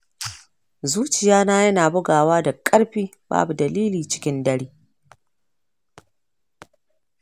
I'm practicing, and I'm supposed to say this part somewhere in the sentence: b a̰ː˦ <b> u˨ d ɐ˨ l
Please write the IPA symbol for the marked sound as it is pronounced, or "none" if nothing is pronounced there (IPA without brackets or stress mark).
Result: b